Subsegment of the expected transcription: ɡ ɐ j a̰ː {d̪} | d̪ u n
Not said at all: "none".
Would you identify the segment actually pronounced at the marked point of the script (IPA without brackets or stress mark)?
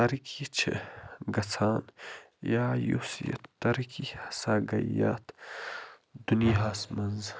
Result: t̪